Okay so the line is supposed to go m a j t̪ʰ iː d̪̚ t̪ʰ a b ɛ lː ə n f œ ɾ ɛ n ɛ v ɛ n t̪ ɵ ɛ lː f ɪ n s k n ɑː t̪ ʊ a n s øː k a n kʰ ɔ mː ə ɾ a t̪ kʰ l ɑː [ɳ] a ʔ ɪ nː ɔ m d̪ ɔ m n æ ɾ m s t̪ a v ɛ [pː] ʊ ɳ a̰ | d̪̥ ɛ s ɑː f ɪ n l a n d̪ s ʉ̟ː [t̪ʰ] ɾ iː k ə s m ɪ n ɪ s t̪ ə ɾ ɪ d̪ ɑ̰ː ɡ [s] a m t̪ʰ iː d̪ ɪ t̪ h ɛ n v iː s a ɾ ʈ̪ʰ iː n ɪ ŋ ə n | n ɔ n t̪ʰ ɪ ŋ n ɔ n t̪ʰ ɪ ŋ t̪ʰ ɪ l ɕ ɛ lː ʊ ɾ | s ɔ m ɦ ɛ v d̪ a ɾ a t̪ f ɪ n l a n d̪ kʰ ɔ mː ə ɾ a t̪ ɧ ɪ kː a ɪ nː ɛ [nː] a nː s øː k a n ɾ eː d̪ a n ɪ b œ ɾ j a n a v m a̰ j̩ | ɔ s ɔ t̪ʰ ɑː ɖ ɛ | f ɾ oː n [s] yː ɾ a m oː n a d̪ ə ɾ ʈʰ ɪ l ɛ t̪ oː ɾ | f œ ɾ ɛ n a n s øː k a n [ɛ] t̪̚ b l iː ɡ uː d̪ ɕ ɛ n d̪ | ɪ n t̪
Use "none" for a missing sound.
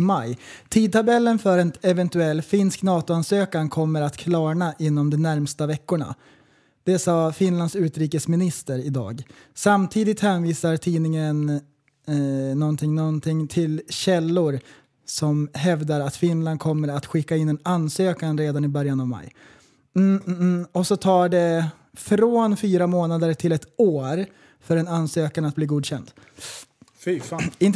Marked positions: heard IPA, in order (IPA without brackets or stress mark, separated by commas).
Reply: ɳ, kː, t̪, s, n, f, a